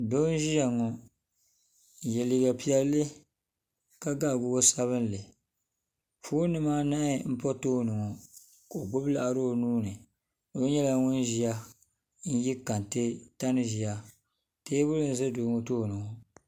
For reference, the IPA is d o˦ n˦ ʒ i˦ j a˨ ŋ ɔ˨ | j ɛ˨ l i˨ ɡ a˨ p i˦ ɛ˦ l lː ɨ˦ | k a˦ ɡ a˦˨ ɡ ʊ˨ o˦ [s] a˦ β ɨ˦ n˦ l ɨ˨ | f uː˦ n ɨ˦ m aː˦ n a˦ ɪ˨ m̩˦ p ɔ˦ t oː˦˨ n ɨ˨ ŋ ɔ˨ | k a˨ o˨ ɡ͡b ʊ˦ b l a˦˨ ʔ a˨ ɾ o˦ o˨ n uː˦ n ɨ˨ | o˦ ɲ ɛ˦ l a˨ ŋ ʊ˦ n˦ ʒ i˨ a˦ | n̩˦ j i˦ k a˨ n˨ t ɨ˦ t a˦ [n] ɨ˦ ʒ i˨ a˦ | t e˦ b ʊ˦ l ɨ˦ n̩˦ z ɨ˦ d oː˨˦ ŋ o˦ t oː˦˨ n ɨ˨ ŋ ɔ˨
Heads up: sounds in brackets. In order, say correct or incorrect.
correct, correct

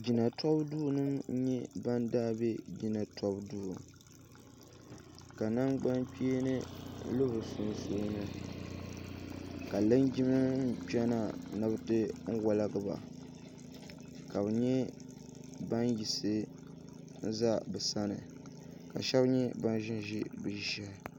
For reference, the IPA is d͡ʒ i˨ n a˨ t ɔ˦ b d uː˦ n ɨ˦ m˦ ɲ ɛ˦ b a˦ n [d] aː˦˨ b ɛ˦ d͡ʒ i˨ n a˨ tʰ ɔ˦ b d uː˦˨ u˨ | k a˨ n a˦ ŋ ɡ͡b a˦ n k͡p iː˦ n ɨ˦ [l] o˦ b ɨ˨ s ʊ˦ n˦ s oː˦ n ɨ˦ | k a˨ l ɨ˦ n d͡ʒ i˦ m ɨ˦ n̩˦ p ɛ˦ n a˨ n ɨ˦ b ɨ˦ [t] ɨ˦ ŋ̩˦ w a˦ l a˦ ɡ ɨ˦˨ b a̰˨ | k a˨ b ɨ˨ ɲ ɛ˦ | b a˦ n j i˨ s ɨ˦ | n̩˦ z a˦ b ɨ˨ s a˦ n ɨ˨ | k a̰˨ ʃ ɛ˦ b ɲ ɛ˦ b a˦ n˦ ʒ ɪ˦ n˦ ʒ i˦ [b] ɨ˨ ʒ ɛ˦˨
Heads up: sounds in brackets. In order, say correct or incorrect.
correct, correct, correct, correct

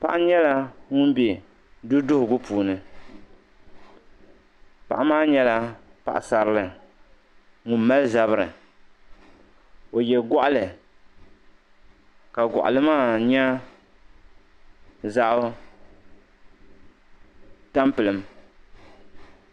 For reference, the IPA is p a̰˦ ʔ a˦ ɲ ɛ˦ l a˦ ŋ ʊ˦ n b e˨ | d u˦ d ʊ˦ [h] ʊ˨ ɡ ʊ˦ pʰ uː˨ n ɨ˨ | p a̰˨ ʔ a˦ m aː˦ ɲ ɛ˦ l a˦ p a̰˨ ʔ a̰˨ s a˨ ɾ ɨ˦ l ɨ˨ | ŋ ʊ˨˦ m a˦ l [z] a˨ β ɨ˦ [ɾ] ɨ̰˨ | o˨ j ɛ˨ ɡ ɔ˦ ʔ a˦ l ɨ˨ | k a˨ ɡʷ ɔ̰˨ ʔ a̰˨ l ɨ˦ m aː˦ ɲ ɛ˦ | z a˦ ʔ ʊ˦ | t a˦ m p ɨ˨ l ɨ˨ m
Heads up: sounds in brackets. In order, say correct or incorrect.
correct, correct, correct

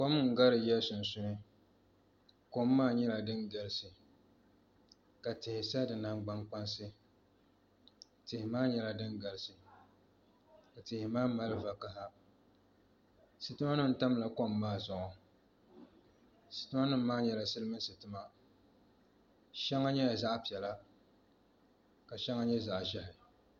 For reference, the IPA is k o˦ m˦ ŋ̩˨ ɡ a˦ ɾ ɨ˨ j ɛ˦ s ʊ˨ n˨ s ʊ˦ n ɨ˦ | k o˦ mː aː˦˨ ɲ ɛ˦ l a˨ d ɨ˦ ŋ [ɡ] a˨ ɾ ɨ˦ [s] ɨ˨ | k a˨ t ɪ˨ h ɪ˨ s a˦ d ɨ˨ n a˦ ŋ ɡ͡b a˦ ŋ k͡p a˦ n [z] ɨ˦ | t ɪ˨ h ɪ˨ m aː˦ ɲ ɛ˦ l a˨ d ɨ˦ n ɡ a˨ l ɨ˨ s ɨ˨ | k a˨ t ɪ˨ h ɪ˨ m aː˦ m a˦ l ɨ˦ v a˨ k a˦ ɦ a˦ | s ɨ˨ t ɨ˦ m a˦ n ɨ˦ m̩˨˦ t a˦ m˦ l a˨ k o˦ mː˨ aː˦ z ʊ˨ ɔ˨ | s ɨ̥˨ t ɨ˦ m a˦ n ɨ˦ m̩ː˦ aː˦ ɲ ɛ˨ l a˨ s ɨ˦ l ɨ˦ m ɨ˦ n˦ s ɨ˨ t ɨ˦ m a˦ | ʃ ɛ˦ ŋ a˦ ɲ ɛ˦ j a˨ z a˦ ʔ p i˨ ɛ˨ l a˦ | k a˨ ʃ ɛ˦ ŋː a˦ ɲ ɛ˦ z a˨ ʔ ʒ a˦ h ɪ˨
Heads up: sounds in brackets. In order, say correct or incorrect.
correct, correct, incorrect: s

